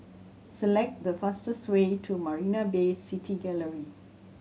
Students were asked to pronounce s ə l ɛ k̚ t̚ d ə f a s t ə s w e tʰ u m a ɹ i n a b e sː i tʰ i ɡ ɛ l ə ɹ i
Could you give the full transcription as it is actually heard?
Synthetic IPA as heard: s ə l ɛ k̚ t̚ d ə f a s t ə s w e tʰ u m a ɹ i n a b e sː i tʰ i ɡ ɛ l ə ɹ i